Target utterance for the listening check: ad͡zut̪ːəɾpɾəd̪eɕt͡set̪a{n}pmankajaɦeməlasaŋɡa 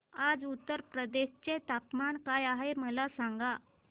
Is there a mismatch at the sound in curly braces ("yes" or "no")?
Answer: yes